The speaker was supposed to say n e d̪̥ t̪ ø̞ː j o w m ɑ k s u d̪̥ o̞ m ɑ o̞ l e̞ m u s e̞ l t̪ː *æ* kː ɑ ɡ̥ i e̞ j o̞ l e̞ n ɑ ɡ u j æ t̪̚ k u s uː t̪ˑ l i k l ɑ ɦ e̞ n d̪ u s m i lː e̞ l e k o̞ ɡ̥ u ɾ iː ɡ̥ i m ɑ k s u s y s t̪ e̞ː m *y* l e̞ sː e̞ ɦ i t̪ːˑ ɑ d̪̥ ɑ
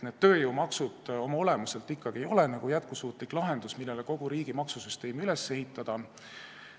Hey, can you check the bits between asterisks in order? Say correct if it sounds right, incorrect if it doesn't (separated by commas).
incorrect, correct